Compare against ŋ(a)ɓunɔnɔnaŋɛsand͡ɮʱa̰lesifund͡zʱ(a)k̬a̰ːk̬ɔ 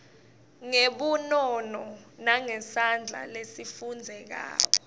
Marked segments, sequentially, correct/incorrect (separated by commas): incorrect, incorrect